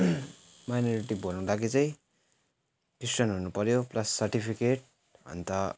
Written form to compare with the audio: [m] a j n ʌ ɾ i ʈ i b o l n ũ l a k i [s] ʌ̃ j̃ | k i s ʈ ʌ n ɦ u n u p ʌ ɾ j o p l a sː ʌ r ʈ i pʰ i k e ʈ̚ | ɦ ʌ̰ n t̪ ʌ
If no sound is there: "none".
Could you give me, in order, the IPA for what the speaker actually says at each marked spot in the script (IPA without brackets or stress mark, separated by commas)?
m, t͡s